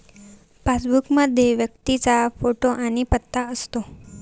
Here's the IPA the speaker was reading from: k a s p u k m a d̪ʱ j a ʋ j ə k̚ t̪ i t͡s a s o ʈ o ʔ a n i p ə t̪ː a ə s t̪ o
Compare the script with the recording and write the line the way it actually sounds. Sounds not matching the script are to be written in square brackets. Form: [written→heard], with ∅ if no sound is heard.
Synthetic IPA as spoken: [k→p] a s [p→b] u k m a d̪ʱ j [a→e] ʋ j ə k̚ t̪ i t͡s a [s→f] o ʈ o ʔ a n i p ə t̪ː a ə s t̪ o